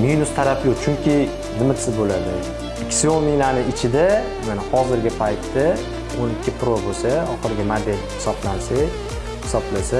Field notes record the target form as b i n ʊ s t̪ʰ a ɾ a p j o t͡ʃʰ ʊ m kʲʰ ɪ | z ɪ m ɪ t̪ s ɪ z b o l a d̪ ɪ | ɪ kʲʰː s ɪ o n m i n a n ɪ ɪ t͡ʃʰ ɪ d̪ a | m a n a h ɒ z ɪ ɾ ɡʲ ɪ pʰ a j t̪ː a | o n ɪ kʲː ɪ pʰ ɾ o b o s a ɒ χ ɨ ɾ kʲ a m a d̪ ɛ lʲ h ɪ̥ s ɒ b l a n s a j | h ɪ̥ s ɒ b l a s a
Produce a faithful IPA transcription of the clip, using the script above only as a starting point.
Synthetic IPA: m i n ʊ s t̪ʰ a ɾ a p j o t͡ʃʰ ʊ ŋ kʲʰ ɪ | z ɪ m ɪ t̪ s ɪ z b o l a d̪ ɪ | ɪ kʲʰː s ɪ o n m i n a n ɪ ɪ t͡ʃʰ ɪ d̪ a | m a n a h ɒ z ɪ ɾ ɡʲ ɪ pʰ a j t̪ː a | o n ɪ kʲː ɪ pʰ ɾ o b o s a ɒ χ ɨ ɾ ɡʲ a m a d̪ e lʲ h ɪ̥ s ɒ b l a n s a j | h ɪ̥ s ɒ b l a s a